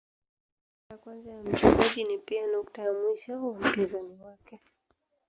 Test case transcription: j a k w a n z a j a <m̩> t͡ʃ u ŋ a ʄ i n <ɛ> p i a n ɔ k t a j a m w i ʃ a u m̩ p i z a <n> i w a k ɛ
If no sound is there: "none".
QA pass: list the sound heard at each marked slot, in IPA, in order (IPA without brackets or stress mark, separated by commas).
m̩, i, n